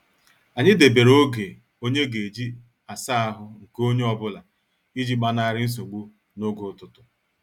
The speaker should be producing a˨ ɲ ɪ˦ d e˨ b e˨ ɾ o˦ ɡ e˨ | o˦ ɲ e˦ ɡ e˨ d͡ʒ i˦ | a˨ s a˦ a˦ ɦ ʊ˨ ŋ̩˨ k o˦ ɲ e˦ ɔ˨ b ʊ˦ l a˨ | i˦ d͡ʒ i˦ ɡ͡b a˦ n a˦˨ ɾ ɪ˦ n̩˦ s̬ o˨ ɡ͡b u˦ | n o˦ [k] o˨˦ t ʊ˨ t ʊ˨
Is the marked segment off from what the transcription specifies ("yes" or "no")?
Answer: yes